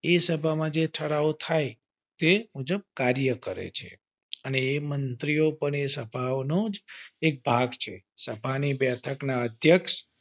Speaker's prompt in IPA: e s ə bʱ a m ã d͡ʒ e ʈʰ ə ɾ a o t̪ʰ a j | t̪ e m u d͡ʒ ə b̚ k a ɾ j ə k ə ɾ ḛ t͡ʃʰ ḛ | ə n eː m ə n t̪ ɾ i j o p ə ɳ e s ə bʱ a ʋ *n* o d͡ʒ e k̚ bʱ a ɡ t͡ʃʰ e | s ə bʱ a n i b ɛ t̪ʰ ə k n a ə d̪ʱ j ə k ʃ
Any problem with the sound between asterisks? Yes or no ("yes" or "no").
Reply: no